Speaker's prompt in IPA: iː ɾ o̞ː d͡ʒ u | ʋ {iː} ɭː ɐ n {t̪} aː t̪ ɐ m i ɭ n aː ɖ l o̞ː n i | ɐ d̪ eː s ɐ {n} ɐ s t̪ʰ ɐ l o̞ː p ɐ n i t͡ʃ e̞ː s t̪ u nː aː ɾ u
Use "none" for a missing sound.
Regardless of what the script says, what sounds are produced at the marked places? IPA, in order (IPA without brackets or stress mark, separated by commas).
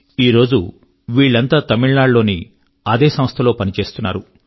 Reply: iː, t̪, m